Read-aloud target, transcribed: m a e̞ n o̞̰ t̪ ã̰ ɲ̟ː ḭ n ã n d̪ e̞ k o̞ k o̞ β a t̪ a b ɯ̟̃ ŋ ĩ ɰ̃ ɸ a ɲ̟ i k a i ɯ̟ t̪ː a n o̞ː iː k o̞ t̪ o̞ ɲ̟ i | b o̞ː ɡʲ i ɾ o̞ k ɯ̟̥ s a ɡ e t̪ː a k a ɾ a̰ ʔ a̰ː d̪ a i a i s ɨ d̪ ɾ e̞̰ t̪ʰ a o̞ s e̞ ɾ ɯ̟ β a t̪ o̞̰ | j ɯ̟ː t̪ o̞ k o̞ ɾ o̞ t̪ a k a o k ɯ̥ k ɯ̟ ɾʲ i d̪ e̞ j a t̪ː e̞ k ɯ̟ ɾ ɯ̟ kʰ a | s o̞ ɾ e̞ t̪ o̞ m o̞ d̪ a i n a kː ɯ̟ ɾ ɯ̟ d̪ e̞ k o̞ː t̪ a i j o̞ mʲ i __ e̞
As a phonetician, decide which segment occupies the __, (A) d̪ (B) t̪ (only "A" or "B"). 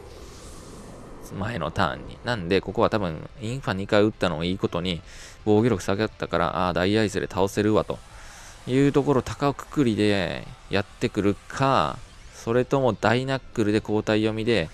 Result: A